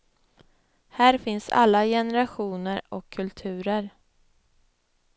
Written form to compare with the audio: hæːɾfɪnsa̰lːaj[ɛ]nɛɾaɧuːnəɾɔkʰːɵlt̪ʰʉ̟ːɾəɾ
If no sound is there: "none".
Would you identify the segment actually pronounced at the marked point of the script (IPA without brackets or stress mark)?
ɛ